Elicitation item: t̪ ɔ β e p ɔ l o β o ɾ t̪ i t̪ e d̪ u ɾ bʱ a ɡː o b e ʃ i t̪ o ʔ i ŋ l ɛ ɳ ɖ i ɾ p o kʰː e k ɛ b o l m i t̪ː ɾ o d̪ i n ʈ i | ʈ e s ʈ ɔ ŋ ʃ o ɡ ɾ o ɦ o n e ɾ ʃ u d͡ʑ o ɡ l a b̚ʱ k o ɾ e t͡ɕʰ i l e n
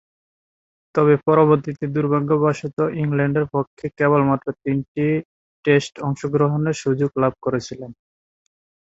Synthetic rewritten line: t̪ ɔ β e p ɔ ɾ o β o ɾ t̪ i t̪ e d̪ u ɾ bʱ a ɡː o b a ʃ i t̪ o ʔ i ŋ l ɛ ɳ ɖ e ɾ p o kʰː e k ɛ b o l m a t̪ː ɾ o t̪ i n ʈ i | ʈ e s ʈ ɔ ŋ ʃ o ɡ ɾ o ɦ o n e ɾ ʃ u d͡ʑ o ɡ l a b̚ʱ k o ɾ e t͡ɕʰ i l e n